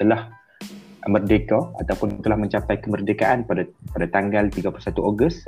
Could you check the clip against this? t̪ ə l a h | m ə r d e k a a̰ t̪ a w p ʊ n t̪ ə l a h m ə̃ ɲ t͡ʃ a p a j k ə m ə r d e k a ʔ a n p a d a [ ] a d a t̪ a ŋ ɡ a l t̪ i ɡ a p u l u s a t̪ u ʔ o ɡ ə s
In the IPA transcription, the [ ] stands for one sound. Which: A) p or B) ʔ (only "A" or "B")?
A